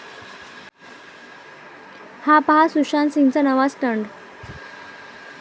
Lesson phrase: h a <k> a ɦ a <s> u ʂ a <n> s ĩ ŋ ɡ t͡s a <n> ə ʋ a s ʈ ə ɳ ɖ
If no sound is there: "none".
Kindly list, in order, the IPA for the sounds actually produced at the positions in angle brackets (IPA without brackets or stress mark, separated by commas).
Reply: p, s, n, n